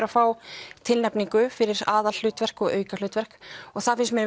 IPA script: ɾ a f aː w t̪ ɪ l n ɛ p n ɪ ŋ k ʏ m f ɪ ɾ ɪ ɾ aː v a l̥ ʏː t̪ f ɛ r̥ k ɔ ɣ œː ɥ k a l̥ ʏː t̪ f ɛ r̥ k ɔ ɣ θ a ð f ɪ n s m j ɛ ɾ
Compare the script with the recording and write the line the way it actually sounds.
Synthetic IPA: ɾ a f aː w t̪ʰ ɪ l n ɛ p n i ŋ k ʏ f ɪ ɾ ɪ ɾ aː ð a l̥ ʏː t̪ v ɛ r̥ k ɔ ɣ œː ɥ k a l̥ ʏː t̪ v ɛ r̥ k ɔ ɣ θ a ð f ɪ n s m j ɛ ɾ